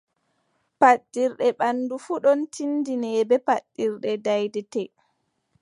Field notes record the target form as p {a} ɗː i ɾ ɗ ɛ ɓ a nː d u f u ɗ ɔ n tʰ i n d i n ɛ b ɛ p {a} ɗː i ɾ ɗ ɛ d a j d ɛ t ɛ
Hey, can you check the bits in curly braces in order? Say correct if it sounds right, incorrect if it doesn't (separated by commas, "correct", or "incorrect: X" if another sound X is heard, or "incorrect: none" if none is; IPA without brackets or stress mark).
correct, correct